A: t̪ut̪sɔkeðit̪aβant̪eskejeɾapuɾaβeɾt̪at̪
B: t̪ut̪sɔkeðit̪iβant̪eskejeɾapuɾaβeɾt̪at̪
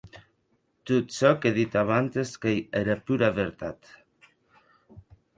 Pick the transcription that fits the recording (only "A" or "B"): A